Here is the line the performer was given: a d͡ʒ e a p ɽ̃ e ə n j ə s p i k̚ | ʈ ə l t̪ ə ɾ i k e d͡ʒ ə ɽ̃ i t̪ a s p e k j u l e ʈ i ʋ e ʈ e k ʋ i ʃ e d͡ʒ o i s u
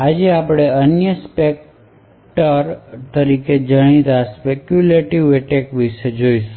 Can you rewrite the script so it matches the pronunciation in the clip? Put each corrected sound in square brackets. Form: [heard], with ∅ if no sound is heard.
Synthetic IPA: a d͡ʒ e a p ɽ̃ e ə n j ə s p [e] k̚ | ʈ ə [ɾ] t̪ ə ɾ i k e d͡ʒ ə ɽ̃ i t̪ a s p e k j u l e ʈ i ʋ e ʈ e k ʋ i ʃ e d͡ʒ o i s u